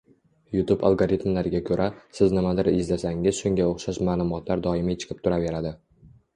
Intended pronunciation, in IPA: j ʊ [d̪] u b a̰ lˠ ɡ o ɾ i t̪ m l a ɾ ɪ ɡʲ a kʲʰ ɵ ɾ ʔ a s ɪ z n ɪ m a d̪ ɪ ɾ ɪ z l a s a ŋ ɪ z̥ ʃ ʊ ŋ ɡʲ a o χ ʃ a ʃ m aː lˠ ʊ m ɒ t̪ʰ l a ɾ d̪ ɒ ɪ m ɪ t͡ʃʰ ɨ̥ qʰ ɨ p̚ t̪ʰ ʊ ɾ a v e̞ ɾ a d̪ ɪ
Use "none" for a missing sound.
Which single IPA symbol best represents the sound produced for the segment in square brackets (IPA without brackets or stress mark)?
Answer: t̪